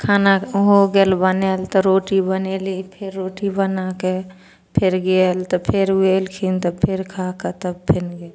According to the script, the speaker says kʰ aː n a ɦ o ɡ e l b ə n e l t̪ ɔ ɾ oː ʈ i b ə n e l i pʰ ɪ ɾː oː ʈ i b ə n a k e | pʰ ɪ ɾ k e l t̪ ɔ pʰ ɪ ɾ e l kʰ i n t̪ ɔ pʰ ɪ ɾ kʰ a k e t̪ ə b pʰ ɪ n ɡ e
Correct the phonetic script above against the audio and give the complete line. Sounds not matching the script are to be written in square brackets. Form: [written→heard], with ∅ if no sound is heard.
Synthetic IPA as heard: kʰ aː n a ɦ o ɡ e l b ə n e l t̪ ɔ ɾ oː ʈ i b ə n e l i pʰ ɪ ɾː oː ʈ i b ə n a k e | pʰ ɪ ɾ [k→ɡ] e l t̪ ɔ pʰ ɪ ɾ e l kʰ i n t̪ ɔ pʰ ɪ ɾ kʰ a k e t̪ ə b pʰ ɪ n ɡ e